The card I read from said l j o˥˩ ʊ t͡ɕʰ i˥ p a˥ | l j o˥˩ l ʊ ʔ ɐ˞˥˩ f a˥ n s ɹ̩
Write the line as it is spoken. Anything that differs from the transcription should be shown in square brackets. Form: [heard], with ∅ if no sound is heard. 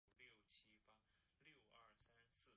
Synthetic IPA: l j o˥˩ ʊ t͡ɕʰ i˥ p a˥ | l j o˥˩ [∅] ʊ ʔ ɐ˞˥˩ [s] a˥ n s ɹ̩